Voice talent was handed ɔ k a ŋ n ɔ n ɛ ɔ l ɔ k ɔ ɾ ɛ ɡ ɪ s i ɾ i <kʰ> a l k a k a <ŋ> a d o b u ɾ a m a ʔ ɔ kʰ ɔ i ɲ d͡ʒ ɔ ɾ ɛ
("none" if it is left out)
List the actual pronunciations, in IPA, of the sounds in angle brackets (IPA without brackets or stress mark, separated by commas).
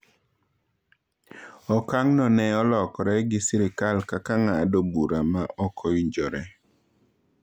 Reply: k, ŋ